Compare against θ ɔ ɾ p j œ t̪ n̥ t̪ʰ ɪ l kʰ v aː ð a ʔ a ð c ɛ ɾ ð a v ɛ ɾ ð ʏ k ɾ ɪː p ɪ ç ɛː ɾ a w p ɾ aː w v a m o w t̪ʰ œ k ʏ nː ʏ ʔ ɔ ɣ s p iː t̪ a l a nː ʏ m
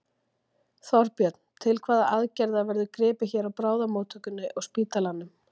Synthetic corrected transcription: θ ɔ ɾ p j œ t̪ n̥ t̪ʰ ɪ l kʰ v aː ð a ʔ a ð c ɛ ɾ ð a v ɛ ɾ ð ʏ k ɾ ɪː p ɪ ç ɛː ɾ a w p ɾ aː w ð a m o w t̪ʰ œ k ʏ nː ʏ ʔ ɔ ɣ s p iː t̪ a l a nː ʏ m